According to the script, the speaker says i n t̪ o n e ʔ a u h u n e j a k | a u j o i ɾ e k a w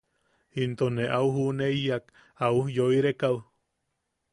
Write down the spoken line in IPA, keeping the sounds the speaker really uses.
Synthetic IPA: i n t̪ o n e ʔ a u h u n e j a k | a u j o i ɾ e k a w